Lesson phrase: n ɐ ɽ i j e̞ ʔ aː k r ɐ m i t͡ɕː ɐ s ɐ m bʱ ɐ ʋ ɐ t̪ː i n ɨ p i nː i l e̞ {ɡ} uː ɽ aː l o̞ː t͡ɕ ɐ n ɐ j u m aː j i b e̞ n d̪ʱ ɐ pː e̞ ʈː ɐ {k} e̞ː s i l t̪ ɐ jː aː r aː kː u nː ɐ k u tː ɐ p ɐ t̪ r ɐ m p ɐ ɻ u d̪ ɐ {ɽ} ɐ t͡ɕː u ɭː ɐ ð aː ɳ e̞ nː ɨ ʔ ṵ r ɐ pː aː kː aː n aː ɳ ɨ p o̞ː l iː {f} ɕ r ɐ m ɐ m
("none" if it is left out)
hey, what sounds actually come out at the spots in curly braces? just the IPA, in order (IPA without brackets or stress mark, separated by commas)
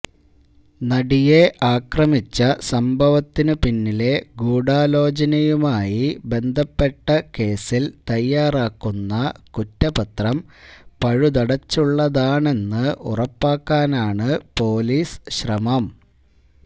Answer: ɡ, k, ɽ, s